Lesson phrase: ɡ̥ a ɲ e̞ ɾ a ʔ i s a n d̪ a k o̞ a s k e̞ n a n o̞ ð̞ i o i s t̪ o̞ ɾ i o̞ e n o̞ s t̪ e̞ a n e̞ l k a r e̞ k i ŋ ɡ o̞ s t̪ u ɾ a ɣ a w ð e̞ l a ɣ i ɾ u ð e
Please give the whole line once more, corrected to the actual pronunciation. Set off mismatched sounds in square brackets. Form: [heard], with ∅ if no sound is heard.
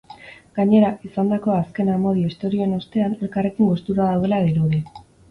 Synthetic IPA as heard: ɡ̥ a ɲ e̞ ɾ a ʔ i s a n d̪ a k o̞ a s k e̞ n a [m] o̞ ð̞ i o i s t̪ o̞ ɾ i o̞ e n o̞ s t̪ e̞ a n e̞ l k a r e̞ k i ŋ ɡ o̞ s t̪ u ɾ a [ð] a w ð e̞ l a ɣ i ɾ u ð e